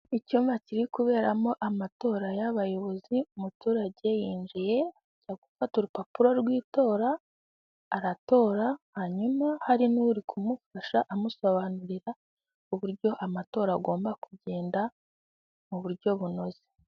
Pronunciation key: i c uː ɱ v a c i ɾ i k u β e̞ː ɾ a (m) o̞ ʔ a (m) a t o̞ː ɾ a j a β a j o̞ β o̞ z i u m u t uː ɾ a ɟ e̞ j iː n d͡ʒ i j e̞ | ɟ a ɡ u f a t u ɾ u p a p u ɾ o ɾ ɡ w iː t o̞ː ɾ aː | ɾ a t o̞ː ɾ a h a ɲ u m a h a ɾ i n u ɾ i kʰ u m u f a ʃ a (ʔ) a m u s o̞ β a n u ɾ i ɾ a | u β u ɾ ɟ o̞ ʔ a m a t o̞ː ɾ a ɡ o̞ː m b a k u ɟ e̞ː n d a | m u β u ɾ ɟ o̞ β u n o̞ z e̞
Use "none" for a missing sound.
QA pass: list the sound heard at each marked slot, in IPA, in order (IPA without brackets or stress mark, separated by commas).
m, m, ʔ